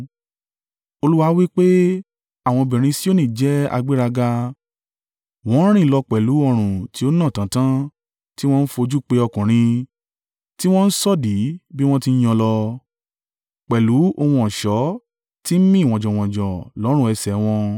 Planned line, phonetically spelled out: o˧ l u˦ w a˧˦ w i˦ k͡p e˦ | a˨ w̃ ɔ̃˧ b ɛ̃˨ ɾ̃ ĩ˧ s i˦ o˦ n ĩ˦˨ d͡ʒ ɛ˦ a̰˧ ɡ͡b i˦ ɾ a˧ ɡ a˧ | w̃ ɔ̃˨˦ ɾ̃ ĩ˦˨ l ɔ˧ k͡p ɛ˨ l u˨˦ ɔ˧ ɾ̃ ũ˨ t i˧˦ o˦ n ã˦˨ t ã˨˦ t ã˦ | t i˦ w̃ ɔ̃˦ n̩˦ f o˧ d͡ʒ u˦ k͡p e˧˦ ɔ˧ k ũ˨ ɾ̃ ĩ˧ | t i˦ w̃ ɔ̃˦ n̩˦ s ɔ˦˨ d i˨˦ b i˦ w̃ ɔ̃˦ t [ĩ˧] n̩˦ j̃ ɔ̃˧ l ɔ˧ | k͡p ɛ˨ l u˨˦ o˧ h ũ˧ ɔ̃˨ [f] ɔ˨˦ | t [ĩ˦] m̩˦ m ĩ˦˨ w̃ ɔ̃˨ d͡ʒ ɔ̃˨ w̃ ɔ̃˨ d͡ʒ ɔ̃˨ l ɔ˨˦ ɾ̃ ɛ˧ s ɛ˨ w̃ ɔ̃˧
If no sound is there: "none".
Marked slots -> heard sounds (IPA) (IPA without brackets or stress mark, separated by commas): i˧, ʃ, i˦